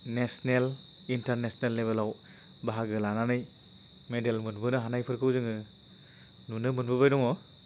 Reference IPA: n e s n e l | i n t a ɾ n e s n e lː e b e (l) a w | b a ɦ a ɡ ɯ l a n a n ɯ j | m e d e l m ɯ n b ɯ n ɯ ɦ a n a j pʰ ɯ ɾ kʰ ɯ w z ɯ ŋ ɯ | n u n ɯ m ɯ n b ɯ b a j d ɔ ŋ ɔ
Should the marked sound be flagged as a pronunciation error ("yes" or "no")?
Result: no